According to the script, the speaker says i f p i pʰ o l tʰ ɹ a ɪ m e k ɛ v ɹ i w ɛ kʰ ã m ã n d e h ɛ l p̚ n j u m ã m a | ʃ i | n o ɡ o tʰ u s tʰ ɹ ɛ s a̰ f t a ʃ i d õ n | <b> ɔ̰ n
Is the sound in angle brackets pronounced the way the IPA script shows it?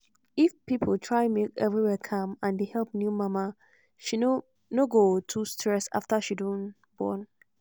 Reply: yes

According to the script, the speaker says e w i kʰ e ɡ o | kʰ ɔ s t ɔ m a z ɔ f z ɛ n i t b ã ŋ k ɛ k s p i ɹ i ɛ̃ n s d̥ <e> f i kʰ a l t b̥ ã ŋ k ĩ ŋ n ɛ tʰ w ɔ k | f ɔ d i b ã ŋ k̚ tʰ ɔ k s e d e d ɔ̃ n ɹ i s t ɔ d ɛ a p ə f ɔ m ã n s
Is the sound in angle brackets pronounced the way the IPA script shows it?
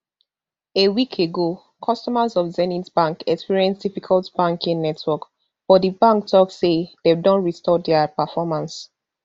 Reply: no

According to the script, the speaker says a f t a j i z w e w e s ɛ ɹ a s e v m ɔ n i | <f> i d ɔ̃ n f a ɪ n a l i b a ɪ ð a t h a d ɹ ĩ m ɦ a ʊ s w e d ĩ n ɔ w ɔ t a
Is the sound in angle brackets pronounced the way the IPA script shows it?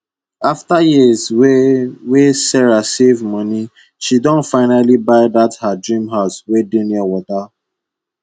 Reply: no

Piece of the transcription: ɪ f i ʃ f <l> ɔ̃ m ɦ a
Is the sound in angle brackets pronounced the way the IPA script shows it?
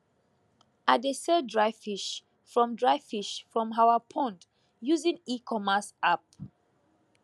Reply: no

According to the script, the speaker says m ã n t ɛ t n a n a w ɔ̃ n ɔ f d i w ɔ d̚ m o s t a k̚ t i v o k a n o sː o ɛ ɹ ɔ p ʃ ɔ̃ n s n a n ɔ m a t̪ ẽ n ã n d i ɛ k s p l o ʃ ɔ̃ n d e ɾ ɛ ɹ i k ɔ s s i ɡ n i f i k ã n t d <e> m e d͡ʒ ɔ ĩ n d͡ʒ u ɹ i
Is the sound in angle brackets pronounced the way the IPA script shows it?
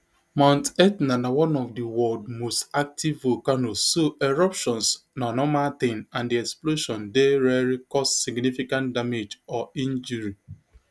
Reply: no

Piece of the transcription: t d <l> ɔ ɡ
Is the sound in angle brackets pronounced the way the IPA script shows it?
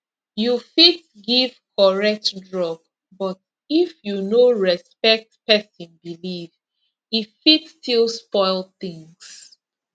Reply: no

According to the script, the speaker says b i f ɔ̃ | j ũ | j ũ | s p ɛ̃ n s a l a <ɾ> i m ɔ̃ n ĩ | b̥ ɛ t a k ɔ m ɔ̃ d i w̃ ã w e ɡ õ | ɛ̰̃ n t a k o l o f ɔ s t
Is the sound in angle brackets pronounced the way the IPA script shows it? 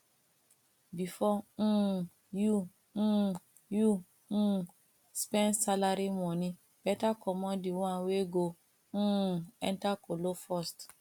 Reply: yes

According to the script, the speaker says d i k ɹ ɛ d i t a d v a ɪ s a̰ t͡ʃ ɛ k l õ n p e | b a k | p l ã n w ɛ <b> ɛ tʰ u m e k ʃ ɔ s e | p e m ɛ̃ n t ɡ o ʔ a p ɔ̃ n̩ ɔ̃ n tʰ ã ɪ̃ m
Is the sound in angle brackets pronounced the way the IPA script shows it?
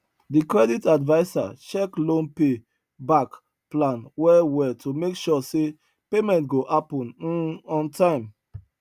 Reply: no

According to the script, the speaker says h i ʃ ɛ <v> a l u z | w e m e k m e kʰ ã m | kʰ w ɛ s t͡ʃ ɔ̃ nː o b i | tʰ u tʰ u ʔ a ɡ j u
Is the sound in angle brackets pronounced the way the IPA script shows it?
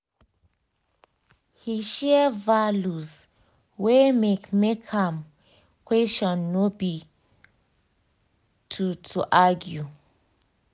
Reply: yes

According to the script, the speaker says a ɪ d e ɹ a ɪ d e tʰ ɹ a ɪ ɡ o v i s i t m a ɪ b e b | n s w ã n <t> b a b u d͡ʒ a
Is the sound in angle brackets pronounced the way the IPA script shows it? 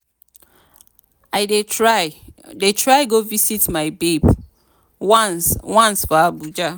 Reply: no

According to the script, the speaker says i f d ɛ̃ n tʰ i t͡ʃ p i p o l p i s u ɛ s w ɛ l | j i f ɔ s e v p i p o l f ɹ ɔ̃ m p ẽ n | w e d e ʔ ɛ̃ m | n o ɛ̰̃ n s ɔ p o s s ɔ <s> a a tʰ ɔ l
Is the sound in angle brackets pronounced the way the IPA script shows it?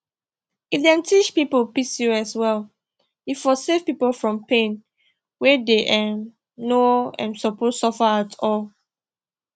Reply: no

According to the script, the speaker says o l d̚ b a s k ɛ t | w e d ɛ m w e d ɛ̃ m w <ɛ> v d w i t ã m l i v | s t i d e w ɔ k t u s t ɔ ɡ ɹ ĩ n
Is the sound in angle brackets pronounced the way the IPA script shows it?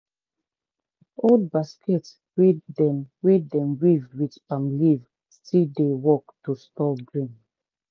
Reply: no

